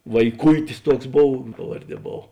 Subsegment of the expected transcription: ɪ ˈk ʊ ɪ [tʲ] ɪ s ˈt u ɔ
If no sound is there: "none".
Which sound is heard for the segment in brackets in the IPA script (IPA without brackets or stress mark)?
tʲ